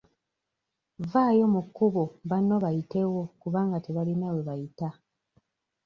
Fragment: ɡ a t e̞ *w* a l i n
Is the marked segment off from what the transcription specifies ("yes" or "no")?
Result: yes